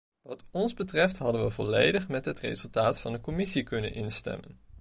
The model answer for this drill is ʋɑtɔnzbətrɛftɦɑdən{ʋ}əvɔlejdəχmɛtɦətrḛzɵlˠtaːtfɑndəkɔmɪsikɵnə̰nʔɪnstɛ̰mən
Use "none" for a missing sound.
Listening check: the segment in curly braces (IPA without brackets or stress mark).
ʋ